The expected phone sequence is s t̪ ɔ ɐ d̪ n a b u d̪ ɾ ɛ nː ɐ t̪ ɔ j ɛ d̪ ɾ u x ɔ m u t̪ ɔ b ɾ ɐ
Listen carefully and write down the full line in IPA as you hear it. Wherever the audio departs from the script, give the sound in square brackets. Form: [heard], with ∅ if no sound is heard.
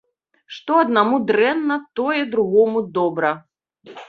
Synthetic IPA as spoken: [ʂ] t̪ ɔ ɐ d̪ n a [m] u d̪ ɾ ɛ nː ɐ t̪ ɔ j ɛ d̪ ɾ u [ɣ] ɔ m u [d̪] ɔ b ɾ ɐ